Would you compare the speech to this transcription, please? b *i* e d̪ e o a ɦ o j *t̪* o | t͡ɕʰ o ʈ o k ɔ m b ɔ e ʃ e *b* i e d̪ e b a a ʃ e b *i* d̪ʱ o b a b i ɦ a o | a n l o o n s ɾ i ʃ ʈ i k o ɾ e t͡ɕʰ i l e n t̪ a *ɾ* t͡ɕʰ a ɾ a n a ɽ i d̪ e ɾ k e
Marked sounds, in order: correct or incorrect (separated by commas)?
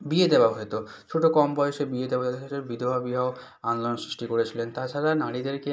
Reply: correct, correct, correct, correct, incorrect